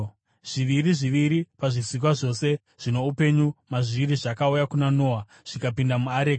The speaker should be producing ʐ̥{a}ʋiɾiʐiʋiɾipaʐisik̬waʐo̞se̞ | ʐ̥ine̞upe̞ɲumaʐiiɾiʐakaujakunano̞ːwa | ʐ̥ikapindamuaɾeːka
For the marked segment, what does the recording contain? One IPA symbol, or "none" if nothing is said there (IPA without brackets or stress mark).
i